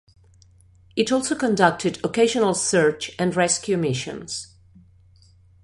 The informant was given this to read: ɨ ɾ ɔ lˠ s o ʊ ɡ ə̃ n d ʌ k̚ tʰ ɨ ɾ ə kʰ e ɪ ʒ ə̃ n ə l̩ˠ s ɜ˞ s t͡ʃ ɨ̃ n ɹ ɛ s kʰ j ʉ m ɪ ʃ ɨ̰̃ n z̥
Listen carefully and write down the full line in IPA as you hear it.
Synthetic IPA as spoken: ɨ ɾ ɔ lˠ s o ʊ k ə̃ n d ʌ k̚ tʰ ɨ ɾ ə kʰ e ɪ ʒ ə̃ n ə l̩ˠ s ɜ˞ t͡ʃ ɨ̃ n ɹ ɛ s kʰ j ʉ m ɪ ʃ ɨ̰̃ n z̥